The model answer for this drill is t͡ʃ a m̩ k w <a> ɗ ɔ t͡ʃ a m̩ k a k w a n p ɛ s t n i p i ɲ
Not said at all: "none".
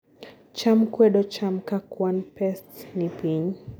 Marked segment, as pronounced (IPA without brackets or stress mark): ɛ